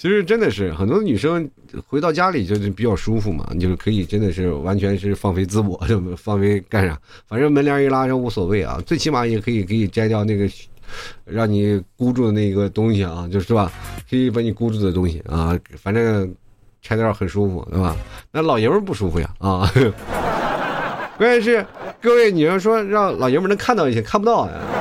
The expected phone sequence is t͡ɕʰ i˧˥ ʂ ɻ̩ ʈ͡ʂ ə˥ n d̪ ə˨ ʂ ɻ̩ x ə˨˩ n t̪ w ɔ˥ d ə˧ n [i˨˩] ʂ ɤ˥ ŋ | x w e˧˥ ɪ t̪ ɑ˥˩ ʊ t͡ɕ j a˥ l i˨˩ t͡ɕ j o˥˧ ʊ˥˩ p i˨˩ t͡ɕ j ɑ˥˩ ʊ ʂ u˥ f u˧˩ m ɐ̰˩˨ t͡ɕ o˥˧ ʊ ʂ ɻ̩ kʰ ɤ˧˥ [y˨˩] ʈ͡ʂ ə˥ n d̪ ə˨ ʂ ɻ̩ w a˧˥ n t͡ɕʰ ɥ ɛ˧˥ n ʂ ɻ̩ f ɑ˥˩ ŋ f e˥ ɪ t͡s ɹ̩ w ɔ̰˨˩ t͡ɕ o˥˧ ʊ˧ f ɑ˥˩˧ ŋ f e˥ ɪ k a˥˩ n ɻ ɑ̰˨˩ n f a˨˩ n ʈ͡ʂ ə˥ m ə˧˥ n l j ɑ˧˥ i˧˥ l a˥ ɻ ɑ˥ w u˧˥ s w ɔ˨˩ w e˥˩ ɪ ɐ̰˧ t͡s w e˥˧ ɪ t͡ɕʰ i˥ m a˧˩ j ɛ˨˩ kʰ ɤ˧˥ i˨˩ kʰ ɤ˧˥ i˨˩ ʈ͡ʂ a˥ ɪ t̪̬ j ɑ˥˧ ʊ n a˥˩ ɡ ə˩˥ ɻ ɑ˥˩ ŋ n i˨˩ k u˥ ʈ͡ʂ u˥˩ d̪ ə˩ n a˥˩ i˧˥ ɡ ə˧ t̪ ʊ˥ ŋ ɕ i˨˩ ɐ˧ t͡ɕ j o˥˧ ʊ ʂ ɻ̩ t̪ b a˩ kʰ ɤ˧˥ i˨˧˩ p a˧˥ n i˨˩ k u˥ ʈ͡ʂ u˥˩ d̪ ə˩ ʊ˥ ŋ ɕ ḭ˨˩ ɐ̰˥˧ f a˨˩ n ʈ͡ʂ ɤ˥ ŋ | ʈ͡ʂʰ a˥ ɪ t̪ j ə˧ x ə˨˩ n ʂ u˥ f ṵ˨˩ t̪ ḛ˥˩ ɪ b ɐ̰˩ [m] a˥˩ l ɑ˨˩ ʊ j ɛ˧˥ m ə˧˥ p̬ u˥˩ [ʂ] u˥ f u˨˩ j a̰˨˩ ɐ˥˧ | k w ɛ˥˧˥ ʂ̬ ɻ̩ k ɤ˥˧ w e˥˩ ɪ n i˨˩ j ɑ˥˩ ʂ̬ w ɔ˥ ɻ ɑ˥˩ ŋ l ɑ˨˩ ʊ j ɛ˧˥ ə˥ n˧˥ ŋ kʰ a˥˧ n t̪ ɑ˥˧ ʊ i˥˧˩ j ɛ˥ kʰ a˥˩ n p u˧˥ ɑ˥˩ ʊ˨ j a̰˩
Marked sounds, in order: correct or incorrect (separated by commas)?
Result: incorrect, incorrect, incorrect, correct